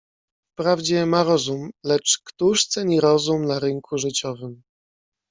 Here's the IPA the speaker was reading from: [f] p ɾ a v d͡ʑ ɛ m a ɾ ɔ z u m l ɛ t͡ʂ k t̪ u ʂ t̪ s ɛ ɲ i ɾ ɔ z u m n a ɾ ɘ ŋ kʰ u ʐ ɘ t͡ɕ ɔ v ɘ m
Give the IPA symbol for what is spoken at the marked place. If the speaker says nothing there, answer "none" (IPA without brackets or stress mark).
f